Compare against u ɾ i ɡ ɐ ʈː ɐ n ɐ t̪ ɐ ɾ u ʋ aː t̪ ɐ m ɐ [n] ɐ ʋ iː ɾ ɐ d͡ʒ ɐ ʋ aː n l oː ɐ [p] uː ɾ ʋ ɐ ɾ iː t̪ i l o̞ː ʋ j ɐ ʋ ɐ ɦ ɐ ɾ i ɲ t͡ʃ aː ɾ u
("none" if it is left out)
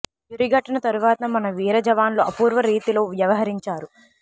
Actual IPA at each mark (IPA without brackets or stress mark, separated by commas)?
n, p